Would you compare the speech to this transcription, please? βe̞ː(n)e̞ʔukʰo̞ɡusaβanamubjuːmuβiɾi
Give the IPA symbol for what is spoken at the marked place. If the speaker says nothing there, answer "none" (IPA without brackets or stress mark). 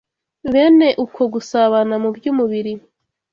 n